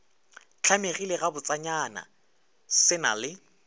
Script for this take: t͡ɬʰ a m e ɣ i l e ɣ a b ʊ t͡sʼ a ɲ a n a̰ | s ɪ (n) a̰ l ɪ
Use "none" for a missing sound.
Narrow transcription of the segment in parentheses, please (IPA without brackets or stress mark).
n